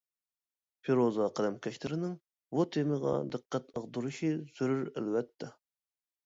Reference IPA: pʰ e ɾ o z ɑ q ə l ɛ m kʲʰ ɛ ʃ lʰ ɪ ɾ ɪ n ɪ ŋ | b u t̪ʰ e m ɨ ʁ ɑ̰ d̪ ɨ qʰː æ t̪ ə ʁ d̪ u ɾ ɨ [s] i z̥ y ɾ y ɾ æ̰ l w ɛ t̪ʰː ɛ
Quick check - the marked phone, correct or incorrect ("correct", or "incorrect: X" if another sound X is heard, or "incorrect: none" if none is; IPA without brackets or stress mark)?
incorrect: ʃ